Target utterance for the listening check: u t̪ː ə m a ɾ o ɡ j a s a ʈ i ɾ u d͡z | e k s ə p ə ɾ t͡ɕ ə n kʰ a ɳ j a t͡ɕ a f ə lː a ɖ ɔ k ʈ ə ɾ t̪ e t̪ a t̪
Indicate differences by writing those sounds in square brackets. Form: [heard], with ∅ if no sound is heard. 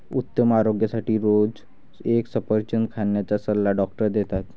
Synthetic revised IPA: u t̪ː ə m a ɾ o ɡ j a s a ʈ [iː] ɾ [o] d͡z | e k s ə p ə ɾ t͡ɕ ə n kʰ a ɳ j a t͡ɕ a [s] ə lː a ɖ ɔ k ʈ ə ɾ [d̪] e t̪ a t̪

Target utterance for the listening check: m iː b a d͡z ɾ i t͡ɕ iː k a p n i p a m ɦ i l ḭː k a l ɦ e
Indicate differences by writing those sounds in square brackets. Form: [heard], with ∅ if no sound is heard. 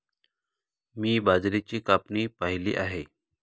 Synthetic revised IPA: m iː b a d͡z ɾ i t͡ɕ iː k a p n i p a [∅] ɦ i l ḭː [ʔ] a [∅] ɦ e

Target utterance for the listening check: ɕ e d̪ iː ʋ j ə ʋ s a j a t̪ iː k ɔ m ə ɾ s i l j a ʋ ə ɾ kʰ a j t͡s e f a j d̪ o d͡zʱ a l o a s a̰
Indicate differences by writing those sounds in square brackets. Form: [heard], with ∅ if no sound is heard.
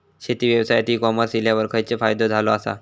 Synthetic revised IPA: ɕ e [t̪] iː ʋ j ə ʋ s a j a t̪ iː k ɔ m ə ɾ s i l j a ʋ ə ɾ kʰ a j t͡s e f a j d̪ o d͡zʱ a l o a s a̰

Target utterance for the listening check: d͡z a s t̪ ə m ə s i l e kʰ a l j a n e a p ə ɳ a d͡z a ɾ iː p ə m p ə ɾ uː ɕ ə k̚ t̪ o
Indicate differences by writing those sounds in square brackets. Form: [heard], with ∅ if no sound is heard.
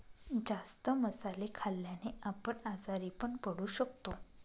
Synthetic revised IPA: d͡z a s t̪ ə m ə s [a] l e kʰ a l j a n e a p ə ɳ a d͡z a ɾ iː p ə [ɳ] p ə [ɽ] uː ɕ ə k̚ t̪ o

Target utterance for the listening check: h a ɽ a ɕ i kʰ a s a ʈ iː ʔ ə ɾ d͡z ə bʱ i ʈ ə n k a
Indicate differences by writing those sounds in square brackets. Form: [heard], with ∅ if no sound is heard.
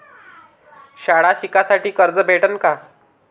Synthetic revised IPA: [ɕ] a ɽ a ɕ i [k] a s a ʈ iː [k] ə ɾ d͡z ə bʱ [e] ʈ ə n k a

